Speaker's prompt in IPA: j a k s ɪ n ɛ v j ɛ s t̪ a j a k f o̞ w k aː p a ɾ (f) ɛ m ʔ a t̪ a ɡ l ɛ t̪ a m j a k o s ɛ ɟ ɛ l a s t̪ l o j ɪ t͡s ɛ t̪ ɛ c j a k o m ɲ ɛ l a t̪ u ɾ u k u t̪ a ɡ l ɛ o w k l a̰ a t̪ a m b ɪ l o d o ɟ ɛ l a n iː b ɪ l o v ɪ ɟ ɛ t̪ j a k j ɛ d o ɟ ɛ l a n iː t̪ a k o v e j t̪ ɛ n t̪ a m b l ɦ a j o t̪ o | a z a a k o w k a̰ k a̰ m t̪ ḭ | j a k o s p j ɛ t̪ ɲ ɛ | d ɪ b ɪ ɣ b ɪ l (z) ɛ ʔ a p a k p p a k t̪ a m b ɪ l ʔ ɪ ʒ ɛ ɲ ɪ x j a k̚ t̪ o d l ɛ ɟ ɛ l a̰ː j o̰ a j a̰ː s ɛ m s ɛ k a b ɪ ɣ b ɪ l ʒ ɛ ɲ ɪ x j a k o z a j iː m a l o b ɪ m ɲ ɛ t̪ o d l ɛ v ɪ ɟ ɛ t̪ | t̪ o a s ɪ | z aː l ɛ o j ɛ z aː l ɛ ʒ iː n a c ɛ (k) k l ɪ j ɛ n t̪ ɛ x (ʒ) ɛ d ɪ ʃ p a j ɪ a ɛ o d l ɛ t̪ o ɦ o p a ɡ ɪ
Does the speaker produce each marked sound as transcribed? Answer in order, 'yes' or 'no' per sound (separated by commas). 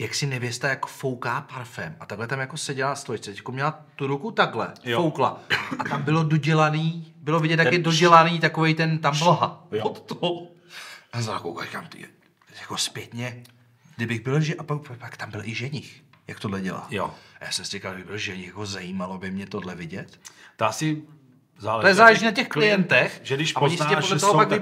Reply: yes, no, no, yes